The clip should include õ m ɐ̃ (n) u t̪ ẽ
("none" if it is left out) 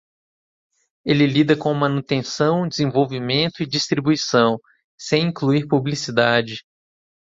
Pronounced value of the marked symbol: n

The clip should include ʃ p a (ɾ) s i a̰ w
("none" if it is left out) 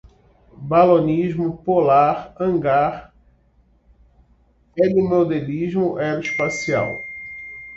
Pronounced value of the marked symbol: none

